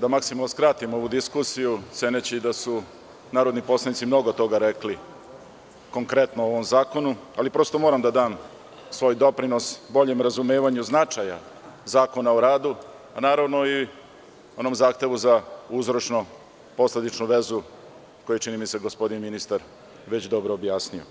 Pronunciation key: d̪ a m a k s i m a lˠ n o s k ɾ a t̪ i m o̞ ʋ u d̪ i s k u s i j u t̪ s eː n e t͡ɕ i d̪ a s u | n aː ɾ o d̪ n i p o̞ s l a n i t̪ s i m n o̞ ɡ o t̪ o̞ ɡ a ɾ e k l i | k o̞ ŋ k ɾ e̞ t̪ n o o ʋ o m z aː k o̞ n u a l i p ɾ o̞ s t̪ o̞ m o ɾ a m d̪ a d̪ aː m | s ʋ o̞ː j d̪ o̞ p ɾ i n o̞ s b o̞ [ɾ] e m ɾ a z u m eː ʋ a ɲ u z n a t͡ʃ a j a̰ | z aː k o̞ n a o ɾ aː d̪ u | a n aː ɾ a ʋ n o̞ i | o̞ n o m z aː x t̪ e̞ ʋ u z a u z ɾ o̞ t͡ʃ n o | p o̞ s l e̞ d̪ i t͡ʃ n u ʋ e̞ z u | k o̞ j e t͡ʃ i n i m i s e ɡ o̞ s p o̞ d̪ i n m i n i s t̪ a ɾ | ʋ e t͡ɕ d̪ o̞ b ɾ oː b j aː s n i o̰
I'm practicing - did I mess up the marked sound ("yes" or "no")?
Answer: yes